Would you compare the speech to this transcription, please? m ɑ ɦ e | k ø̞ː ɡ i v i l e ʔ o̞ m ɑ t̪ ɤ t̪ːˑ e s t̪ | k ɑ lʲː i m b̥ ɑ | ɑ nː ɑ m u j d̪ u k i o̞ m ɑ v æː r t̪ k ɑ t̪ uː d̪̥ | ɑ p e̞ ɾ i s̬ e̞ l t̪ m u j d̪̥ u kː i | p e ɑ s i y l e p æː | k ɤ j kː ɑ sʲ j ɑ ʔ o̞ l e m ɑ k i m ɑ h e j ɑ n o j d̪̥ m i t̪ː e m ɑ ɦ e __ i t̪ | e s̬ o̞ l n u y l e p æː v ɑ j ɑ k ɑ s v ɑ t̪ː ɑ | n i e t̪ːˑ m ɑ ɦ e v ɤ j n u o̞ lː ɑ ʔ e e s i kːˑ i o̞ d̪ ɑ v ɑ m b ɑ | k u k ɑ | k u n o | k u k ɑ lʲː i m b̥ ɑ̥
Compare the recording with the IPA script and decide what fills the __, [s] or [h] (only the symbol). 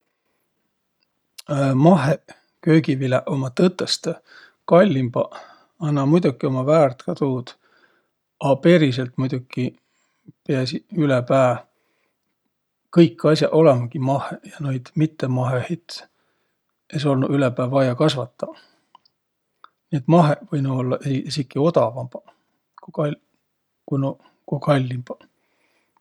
h